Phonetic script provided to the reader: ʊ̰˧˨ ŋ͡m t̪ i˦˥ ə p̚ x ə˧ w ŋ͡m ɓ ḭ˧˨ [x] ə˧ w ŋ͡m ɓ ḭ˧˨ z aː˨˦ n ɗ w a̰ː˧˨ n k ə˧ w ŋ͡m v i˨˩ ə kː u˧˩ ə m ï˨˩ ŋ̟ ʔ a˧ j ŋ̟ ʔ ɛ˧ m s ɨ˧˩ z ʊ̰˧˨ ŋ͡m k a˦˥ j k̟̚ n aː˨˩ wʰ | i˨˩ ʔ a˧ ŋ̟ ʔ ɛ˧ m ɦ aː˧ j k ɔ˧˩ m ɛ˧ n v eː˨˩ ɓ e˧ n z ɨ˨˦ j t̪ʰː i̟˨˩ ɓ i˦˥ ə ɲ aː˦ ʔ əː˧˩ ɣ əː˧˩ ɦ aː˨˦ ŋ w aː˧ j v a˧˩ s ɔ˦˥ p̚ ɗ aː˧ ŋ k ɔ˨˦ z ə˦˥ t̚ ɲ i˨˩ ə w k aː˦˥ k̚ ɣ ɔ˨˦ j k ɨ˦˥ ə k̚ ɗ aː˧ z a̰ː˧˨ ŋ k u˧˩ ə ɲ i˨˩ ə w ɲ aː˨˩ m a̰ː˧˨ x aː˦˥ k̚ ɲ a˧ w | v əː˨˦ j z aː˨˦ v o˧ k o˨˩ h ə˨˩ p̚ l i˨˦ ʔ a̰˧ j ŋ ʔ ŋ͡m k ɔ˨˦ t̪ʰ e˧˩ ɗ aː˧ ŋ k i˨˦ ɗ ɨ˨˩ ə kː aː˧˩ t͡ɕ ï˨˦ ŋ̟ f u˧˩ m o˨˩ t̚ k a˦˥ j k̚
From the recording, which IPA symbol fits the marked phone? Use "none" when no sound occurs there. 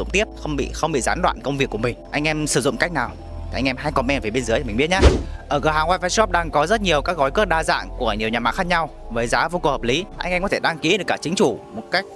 x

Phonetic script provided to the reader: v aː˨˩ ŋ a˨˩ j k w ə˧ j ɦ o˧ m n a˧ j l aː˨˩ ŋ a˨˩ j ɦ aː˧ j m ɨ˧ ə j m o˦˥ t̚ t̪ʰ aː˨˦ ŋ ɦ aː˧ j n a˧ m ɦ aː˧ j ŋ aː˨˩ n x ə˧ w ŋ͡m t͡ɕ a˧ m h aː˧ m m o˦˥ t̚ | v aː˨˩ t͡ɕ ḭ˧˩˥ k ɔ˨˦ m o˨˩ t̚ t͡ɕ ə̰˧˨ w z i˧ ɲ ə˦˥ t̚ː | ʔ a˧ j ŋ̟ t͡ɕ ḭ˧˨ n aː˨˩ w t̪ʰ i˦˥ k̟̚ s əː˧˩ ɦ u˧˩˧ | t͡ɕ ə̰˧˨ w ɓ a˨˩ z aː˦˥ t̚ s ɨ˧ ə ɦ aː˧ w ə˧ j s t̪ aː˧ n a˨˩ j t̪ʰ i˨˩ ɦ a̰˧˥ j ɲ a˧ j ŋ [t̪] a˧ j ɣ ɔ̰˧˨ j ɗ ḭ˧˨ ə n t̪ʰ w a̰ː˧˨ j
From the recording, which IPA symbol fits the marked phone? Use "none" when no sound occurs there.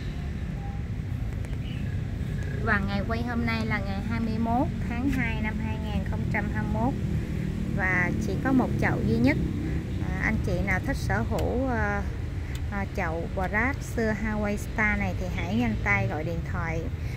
t̪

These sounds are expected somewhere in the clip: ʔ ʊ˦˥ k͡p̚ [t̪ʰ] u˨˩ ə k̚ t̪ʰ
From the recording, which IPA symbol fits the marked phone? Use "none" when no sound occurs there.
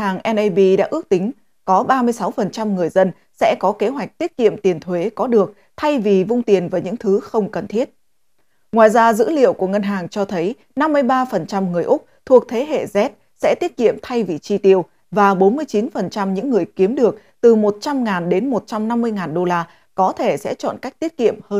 t̪ʰ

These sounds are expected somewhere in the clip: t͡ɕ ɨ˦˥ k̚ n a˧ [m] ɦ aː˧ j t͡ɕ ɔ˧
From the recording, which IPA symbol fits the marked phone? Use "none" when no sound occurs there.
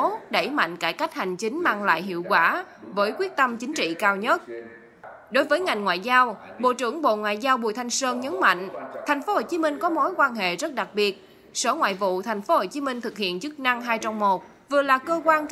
ŋ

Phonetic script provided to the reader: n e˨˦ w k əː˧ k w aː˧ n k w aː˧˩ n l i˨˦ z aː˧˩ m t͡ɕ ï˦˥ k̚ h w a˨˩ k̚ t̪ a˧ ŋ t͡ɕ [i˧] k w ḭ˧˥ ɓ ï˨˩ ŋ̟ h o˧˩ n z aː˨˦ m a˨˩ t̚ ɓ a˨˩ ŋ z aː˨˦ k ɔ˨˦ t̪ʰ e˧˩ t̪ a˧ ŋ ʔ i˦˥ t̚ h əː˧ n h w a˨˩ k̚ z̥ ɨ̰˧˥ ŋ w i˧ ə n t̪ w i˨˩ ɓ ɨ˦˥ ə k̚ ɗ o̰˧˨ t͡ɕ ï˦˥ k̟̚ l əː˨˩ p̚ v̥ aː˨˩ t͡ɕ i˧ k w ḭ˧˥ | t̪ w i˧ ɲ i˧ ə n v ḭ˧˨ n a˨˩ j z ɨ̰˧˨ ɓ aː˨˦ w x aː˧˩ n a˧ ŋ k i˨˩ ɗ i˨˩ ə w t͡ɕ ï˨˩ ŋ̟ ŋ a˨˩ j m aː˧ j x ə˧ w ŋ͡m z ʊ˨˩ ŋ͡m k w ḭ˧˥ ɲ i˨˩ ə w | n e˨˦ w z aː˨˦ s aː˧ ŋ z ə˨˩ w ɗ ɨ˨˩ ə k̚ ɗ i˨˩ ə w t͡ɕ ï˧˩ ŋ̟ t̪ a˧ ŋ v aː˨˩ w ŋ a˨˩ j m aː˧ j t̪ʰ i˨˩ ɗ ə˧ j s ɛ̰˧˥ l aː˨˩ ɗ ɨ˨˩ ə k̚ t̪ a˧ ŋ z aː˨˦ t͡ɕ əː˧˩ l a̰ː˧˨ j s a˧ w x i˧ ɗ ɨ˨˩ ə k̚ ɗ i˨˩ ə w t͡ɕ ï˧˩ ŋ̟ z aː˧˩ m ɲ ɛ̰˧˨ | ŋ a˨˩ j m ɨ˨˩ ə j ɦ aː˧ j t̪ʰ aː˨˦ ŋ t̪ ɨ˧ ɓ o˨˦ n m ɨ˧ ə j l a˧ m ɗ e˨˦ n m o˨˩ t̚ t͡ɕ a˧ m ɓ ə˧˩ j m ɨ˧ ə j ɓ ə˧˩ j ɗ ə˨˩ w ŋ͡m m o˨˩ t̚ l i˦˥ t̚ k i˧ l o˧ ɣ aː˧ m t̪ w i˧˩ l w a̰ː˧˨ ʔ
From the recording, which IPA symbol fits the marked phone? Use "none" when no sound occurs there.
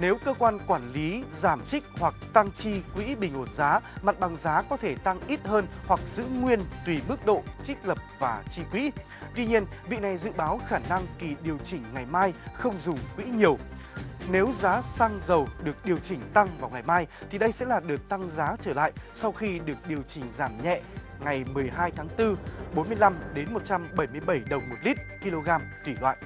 i˧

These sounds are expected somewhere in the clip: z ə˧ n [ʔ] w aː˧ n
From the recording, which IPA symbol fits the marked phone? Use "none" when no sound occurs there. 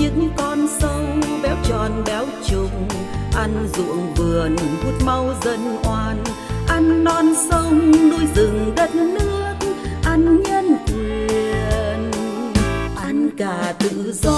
ʔ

